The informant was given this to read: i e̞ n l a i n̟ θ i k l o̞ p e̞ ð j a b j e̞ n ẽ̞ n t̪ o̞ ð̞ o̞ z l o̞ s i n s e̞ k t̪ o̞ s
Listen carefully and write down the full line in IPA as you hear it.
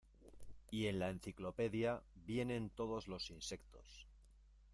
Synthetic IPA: i e̞ n l a e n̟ θ i k l o̞ p e̞ ð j a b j e̞ n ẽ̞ n t̪ o̞ ð̞ o̞ z l o̞ s i n s e̞ k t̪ o̞ s

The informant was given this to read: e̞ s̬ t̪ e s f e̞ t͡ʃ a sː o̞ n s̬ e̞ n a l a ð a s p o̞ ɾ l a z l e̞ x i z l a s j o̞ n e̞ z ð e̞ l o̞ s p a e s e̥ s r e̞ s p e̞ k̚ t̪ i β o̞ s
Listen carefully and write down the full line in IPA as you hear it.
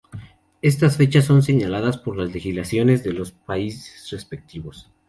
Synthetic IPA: e̞ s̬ t̪ a s f e̞ t͡ʃ a sː o̞ n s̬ e̞ ɲ a l a ð a s p o̞ ɾ l a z l e̞ x i z l a s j o̞ n e̞ z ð e̞ l o̞ s p a i s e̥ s r e̞ s p e̞ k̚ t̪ i β o̞ s

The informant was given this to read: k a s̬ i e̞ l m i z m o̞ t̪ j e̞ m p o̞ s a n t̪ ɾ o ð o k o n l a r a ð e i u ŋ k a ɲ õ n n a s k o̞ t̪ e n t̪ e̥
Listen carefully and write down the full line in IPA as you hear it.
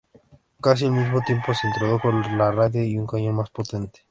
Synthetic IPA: k a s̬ i e̞ l m i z m o̞ t̪ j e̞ m p o̞ s e n t̪ ɾ o ð o k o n l a r a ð e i u ŋ k a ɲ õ n m a s p o̞ t̪ e n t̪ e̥

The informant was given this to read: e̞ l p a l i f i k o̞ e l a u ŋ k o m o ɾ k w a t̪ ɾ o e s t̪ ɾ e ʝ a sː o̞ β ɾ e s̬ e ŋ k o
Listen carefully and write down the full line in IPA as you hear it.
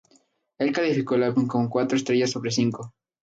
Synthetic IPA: e̞ l k a l i f i k o̞ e l a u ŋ k o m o k w a t̪ ɾ o e s t̪ ɾ e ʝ a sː o̞ β ɾ e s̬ i ŋ k o

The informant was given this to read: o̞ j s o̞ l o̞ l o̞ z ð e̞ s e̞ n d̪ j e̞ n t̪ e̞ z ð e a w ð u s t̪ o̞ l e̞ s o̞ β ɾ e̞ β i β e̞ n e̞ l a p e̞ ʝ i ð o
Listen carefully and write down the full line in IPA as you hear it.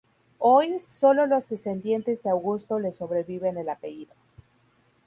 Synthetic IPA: o̞ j s o̞ l o̞ l o̞ z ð e̞ s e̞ n d̪ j e̞ n t̪ e̞ z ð e a w ɣ u s t̪ o̞ l e̞ s o̞ β ɾ e̞ β i β e̞ n e̞ l a p e̞ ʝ i ð o

